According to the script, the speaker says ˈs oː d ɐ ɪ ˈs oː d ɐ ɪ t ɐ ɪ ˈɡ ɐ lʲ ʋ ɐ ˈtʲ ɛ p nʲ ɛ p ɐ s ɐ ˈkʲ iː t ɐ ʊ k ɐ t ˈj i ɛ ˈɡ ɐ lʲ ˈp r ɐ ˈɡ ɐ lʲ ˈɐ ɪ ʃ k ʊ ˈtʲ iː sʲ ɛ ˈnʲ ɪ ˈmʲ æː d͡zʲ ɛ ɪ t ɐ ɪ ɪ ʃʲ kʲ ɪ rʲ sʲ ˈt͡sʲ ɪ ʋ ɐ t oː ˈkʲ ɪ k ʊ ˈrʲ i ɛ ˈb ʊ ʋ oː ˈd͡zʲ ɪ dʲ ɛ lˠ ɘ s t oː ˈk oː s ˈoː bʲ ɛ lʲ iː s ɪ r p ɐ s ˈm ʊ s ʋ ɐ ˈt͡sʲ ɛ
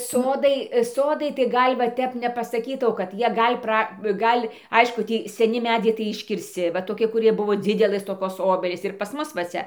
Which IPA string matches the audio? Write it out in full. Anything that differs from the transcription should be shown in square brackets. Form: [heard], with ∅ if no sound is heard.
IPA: ˈs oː d ɐ ɪ ˈs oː d ɐ ɪ t ɐ ɪ ˈɡ ɐ lʲ ʋ ɐ ˈtʲ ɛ p nʲ ɛ p ɐ s ɐ ˈkʲ iː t ɐ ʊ k ɐ t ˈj i ɛ ˈɡ ɐ lʲ ˈp r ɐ ˈɡ ɐ lʲ ˈɐ ɪ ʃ k ʊ ˈtʲ iː sʲ ɛ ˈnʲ ɪ ˈmʲ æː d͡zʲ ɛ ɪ t ɐ ɪ ɪ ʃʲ kʲ ɪ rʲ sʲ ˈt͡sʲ ɪ ʋ ɐ t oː ˈkʲ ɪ k ʊ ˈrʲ i ɛ ˈb ʊ ʋ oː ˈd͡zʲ ɪ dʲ ɛ lˠ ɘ s t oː ˈk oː s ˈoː bʲ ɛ lʲ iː s ɪ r p ɐ s ˈm ʊ s ʋ ɐ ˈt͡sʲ ɛ